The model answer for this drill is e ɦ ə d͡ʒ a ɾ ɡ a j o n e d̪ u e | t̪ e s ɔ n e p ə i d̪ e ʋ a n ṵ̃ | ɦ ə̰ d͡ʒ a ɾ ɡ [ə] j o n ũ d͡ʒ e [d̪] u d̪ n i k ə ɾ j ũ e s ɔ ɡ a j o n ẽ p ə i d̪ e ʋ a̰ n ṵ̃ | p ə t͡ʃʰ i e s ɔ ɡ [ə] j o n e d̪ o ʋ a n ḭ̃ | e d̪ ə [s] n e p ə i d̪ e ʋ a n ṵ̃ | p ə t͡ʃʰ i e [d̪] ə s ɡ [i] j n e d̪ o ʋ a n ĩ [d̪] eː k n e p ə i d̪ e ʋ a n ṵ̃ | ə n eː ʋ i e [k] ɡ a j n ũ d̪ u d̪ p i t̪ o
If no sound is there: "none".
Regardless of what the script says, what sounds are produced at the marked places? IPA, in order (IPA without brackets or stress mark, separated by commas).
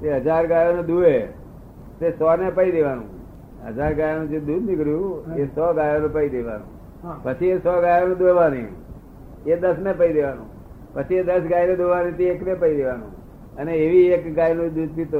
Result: a, d̪, a, s, d̪, a, t̪, k